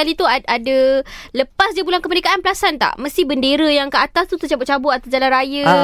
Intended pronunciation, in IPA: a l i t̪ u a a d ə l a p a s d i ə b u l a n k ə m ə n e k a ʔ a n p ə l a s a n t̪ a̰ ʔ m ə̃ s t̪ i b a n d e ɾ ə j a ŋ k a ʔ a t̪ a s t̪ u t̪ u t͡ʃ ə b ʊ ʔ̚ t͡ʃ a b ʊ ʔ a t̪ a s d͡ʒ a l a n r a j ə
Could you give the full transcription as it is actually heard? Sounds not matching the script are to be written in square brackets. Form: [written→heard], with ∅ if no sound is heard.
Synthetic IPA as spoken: a l i t̪ u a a d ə l [a→ə] p a s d i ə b u l a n k ə m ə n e k a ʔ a n p ə l a s a n t̪ a̰ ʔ m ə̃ s t̪ i b [a→ə] n d e ɾ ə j a ŋ k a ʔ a t̪ a s t̪ u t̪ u t͡ʃ [ə→a] b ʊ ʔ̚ t͡ʃ a b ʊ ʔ a t̪ a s d͡ʒ a l a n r a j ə